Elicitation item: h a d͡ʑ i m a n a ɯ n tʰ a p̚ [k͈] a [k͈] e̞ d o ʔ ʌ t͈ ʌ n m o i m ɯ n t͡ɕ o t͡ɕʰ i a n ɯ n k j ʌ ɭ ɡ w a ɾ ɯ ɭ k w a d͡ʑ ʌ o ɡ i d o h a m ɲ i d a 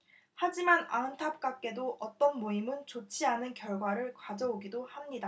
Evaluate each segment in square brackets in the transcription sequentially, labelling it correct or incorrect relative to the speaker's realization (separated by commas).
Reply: correct, correct